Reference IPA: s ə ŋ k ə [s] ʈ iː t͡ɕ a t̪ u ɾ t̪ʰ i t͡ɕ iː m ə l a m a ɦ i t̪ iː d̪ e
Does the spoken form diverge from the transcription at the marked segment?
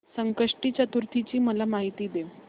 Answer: yes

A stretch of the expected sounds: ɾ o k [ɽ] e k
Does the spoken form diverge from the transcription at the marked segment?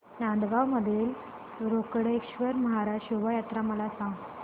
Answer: no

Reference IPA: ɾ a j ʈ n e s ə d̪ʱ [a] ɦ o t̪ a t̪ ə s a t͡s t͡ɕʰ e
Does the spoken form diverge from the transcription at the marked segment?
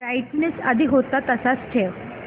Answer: yes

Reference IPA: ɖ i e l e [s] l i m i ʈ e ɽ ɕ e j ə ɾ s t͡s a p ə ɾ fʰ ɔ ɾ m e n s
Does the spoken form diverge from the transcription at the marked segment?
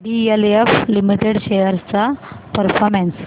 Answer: yes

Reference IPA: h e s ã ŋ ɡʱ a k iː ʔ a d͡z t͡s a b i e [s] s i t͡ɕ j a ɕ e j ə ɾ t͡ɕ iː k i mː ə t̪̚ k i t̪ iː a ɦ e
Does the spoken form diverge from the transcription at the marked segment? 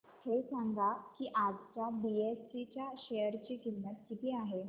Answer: no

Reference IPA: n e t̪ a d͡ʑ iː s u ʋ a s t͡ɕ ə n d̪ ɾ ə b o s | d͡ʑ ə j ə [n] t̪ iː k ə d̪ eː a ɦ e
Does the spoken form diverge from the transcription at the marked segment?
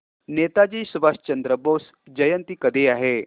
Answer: no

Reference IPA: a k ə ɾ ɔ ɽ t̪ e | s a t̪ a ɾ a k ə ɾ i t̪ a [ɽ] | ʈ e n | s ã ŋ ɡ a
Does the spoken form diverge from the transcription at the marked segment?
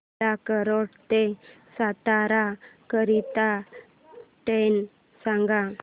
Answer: yes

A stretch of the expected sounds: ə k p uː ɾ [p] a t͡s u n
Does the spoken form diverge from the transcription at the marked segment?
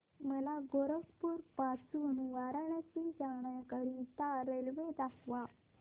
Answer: no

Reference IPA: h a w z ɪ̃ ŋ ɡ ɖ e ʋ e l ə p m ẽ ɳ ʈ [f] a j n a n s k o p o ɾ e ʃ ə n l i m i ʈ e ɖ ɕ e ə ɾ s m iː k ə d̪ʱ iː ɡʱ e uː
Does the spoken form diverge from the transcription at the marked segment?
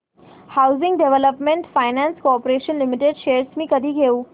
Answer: no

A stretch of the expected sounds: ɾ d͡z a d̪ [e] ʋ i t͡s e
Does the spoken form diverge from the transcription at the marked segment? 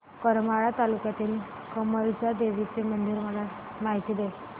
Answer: no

